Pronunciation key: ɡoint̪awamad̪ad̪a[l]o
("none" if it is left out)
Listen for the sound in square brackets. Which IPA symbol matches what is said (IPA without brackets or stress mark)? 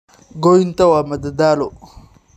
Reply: l